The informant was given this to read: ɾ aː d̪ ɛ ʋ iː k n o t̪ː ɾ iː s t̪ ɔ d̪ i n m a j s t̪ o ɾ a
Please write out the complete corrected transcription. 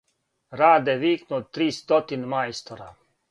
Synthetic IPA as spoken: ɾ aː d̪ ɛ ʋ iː k n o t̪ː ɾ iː s t̪ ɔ t̪ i n m a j s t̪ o ɾ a